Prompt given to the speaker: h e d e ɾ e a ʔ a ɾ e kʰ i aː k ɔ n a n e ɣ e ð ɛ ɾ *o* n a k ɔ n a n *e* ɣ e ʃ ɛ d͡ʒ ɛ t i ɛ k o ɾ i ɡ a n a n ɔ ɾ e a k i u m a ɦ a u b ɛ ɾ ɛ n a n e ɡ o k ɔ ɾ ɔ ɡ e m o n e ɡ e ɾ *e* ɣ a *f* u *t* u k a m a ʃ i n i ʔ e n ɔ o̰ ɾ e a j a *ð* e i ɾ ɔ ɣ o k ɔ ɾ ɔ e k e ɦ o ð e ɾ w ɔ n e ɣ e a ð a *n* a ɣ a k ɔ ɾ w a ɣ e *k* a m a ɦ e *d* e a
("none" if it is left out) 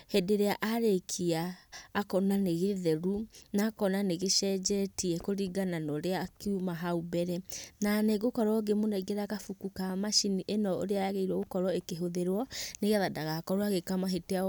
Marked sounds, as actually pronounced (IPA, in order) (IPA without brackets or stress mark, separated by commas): u, e, a, f, k, ɣ, d, k, t